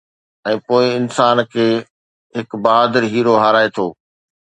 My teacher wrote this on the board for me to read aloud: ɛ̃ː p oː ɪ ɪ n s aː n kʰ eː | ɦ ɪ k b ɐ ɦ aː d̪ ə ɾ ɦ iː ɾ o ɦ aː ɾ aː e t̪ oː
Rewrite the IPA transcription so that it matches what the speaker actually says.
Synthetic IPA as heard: ɛ̃ː p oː ɪ ɪ n s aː n kʰ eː | ɦ ɪ k b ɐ ɦ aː d̪ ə ɾ ɦ iː ɾ o ɦ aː ɾ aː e t̪ʰ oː